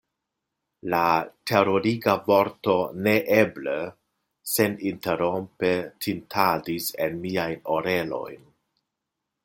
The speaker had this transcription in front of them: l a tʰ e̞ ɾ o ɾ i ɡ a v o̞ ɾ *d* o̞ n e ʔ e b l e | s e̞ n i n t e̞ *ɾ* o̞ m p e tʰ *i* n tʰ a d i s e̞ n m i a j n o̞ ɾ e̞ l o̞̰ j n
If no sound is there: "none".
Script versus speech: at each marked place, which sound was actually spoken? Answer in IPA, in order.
t, ɾ, i

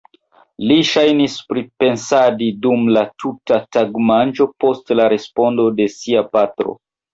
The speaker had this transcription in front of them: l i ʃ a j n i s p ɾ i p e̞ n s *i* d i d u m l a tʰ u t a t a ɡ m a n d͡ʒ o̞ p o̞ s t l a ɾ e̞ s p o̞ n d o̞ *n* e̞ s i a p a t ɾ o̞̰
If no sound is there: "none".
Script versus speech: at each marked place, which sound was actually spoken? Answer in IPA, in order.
a, d

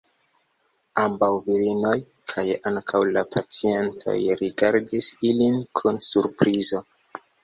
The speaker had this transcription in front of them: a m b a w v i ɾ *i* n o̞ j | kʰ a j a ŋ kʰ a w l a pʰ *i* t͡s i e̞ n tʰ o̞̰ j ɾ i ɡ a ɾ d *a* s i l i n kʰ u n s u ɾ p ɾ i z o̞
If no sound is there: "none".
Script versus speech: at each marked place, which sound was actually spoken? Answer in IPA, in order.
i, a, i

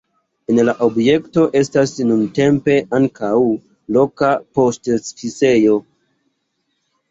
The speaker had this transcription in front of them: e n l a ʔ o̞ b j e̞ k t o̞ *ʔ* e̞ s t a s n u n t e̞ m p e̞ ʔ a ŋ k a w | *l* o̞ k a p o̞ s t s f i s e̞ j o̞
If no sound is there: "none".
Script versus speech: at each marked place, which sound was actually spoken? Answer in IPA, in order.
ʔ, l

